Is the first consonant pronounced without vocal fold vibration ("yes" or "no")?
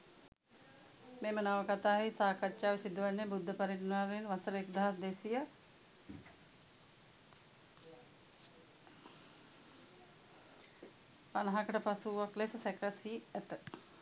no